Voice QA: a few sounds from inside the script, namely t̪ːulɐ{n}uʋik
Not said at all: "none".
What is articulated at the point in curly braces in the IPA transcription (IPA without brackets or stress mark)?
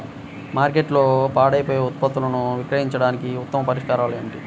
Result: n